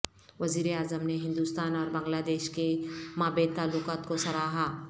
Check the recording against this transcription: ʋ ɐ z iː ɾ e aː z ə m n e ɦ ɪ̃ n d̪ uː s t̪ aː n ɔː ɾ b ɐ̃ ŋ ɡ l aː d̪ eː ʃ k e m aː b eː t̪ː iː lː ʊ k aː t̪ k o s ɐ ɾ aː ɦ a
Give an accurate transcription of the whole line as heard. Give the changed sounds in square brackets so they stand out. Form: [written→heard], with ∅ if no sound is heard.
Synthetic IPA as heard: ʋ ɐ z iː ɾ e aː z ə m n e ɦ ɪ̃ n d̪ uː s t̪ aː n ɔː ɾ b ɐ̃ ŋ ɡ l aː d̪ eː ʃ k e m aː b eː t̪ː [iː→aː] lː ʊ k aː t̪ k o s ɐ ɾ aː ɦ a